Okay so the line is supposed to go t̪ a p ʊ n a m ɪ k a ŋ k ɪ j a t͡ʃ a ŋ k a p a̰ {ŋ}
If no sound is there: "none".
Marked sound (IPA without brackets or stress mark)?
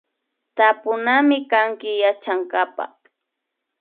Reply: none